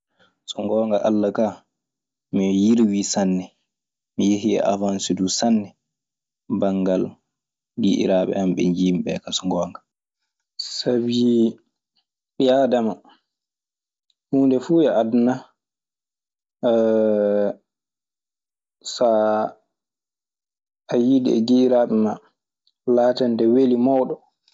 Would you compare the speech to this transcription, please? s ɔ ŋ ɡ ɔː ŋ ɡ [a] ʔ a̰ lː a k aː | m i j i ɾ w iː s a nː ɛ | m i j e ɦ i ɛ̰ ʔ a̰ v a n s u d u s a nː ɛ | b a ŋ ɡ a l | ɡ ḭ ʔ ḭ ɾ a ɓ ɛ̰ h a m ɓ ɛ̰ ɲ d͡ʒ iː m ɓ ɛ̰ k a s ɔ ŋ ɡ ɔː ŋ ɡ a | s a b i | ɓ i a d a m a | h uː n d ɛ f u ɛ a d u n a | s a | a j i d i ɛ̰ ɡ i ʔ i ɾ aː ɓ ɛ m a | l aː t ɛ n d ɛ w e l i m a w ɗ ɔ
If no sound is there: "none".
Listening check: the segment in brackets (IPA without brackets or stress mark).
a